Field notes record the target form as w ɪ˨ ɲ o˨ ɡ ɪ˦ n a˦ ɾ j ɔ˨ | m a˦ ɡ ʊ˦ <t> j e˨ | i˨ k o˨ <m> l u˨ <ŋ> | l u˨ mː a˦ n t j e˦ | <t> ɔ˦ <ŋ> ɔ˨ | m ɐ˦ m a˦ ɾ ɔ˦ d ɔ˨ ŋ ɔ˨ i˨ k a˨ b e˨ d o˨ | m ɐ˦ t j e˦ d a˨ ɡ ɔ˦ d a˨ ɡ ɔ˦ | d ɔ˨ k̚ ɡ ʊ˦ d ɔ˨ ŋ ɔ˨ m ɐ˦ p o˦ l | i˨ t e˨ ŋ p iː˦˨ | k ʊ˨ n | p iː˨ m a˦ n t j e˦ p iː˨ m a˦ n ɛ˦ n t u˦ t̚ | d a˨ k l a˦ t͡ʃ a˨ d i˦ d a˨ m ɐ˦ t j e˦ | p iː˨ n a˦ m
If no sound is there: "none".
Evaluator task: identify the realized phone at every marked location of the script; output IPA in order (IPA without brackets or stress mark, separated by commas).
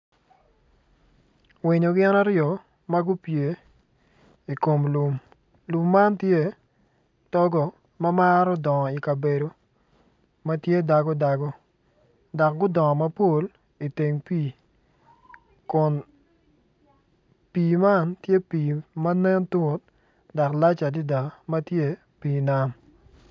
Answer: p, m, m, t, ɡ